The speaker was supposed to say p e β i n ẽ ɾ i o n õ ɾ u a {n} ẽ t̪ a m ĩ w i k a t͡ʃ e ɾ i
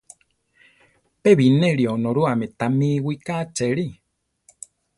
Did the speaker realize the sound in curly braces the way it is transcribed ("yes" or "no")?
no